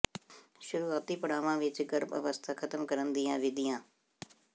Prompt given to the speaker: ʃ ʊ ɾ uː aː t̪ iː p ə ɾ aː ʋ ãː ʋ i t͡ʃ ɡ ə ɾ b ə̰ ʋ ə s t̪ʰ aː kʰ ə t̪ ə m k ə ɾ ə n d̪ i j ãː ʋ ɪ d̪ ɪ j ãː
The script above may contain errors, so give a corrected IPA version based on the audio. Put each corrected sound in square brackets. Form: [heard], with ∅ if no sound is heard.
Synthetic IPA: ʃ ʊ ɾ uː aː t̪ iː p ə [ɽ] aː ʋ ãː ʋ [ɪ] t͡ʃ ɡ ə ɾ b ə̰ ʋ ə s t̪ʰ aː kʰ ə t̪ ə m k ə ɾ ə n d̪ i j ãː ʋ ɪ d̪ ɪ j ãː